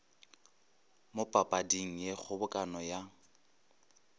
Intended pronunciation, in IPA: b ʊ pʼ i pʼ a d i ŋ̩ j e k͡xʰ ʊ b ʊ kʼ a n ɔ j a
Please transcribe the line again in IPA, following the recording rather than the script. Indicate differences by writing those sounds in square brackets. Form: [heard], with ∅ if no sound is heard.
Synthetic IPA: [m] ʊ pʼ [a] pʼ a d i ŋ̩ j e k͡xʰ ʊ b ʊ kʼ a n ɔ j a